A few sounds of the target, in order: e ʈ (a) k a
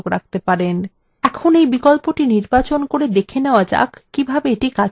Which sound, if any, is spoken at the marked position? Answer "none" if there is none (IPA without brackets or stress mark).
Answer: i